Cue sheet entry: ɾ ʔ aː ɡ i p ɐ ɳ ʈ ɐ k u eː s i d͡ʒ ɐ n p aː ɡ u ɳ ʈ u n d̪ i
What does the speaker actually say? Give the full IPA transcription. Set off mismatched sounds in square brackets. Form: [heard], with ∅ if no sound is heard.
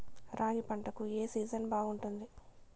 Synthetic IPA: ɾ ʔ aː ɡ i p ɐ ɳ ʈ ɐ k u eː s [iː] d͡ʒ ɐ n [b] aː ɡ u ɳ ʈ u n d̪ i